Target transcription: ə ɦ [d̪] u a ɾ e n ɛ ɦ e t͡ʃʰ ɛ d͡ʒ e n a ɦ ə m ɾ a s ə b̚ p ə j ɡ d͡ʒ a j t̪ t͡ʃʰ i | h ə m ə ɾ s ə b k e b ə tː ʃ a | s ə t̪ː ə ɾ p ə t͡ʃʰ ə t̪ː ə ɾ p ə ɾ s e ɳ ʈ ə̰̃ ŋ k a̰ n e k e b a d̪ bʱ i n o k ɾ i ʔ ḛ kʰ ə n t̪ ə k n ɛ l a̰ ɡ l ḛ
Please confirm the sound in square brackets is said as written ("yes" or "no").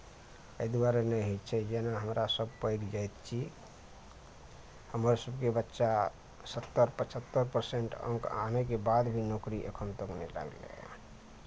yes